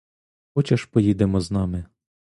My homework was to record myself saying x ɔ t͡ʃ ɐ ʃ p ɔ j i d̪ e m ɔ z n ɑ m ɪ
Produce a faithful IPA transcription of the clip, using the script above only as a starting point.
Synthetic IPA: x ɔ t͡ʃ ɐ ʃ p ɔ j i d̪ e m ɔ z n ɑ m ɪ

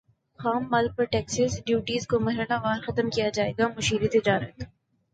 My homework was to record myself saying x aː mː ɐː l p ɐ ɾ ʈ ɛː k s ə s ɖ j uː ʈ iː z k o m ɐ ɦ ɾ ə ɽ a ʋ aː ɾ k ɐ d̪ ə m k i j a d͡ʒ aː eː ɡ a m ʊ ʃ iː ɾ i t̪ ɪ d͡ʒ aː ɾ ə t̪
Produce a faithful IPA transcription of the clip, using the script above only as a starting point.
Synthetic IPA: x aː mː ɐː l p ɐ ɾ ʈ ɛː k s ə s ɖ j uː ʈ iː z k o m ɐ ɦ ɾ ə l a ʋ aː ɾ x ɐ t̪ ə m k i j a d͡ʒ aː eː ɡ a m ʊ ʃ iː ɾ i t̪ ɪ d͡ʒ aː ɾ ə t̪

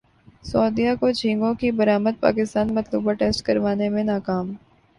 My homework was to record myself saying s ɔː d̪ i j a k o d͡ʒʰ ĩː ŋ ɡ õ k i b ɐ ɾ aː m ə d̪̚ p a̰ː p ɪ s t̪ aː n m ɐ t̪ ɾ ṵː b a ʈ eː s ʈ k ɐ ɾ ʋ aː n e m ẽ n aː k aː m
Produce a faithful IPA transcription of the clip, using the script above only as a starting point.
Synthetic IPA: s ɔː d̪ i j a k o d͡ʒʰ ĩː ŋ ɡ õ k i b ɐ ɾ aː m ə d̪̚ p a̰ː k ɪ s t̪ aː n m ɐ t̪ l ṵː b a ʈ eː s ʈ k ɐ ɾ ʋ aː n e m ẽ n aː k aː m

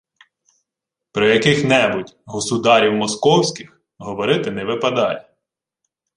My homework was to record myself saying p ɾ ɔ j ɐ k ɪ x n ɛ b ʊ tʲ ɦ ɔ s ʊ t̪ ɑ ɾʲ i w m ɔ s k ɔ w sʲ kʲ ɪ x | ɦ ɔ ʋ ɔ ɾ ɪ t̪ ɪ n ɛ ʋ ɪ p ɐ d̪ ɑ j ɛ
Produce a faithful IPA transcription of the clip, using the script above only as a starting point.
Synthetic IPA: p ɾ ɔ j ɐ k ɪ x n ɛ b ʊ tʲ ɦ ɔ s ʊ d̪ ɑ ɾʲ i w m ɔ s k ɔ w sʲ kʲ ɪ x | ɦ ɔ ʋ ɔ ɾ ɪ t̪ ɪ n ɛ ʋ ɪ p ɐ d̪ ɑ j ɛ

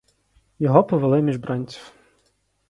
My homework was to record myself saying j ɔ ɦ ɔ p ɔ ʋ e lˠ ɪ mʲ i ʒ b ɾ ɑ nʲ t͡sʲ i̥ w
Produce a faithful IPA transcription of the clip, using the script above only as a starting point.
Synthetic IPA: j ɔ ɦ ɔ p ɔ ʋ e lˠ ɪ mʲ i ʒ b ɾ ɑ nʲ t͡sʲ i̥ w

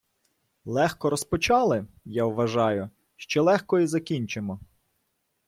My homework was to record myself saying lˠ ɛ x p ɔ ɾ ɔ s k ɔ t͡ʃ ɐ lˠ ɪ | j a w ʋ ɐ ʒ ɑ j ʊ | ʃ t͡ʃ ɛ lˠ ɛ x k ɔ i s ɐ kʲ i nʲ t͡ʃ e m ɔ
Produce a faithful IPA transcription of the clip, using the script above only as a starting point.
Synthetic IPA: lˠ ɛ x k ɔ ɾ ɔ s p ɔ t͡ʃ ɑ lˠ ɪ | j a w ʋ ɐ ʒ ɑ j ʊ | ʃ t͡ʃ ɛ lˠ ɛ x k ɔ i z ɐ kʲ i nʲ t͡ʃ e m ɔ

